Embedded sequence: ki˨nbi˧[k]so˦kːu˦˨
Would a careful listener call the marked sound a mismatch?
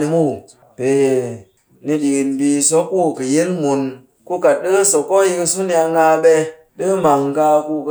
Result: yes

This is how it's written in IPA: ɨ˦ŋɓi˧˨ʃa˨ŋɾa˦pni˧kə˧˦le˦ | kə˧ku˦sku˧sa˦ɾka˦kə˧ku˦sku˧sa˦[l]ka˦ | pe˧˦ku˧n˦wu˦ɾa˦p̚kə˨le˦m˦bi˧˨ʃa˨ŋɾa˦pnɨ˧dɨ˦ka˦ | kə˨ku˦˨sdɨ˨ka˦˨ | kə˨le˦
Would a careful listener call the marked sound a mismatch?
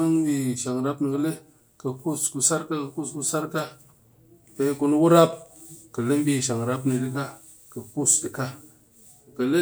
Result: yes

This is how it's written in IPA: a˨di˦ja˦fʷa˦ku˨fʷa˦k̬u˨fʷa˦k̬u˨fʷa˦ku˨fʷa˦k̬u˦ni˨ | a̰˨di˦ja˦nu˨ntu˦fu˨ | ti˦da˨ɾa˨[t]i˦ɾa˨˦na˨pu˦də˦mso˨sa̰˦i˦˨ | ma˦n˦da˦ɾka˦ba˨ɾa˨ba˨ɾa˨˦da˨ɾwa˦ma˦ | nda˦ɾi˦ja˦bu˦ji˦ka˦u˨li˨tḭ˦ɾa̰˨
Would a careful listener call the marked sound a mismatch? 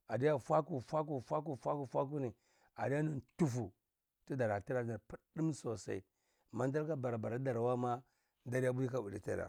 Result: no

